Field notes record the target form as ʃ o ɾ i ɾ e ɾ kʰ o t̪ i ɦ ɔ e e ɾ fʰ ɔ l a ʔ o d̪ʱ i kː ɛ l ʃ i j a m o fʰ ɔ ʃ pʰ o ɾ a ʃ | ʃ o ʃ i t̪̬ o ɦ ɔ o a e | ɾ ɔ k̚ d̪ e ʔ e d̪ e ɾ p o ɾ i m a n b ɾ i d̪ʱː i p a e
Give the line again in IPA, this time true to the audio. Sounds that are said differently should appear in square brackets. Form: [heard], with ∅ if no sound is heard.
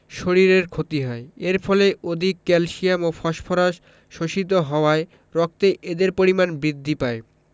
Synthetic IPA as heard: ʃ o ɾ i ɾ e ɾ kʰ o t̪ i ɦ ɔ e e ɾ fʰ ɔ l [e] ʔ o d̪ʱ i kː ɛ l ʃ i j a m o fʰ ɔ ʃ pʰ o ɾ a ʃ | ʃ o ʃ i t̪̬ o ɦ ɔ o a e | ɾ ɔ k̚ [t̪] e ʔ e d̪ e ɾ p o ɾ i m a n b ɾ i d̪ʱː i p a e